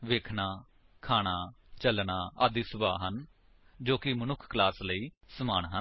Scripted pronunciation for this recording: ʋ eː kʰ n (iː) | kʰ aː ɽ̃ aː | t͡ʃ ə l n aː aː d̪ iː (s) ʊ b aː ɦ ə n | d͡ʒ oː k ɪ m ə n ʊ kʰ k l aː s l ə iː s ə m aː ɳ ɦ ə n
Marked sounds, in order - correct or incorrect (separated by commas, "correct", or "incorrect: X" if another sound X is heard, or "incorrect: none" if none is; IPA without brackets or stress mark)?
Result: incorrect: aː, correct